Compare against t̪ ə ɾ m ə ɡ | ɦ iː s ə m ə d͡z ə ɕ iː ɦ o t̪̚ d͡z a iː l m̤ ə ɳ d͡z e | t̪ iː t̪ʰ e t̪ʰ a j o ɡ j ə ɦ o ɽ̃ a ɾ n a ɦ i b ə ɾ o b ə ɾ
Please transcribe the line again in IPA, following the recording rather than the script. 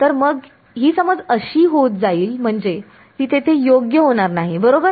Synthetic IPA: t̪ ə ɾ m ə ɡ | ɦ iː s ə m ə d͡z ə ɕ iː ɦ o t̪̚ d͡z a iː l m̤ ə ɳ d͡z e | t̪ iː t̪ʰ e t̪ʰ e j o ɡ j ə ɦ o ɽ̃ a ɾ n a ɦ i b ə ɾ o b ə ɾ